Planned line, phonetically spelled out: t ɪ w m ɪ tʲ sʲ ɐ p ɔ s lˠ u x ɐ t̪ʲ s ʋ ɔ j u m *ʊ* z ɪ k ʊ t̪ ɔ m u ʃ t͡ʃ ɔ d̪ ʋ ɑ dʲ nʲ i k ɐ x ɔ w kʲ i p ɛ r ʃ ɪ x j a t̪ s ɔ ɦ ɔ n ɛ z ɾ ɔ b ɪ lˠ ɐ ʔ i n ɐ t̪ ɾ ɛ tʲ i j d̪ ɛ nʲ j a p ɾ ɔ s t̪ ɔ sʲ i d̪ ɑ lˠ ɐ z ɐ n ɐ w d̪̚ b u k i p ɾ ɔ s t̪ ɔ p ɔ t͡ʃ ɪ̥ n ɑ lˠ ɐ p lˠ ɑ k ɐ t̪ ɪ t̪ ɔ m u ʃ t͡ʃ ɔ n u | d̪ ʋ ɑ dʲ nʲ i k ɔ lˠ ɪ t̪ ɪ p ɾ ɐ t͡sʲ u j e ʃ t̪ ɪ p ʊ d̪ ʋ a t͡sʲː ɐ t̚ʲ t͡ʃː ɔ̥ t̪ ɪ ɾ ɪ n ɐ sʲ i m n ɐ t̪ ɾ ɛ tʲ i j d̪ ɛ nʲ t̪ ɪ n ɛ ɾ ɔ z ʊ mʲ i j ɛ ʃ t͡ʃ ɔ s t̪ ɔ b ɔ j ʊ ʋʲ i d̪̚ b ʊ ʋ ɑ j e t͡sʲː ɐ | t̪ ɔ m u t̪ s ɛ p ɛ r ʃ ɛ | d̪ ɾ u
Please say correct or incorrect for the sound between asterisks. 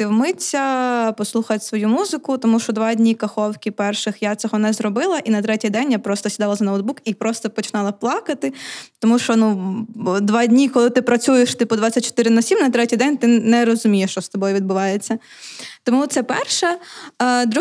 incorrect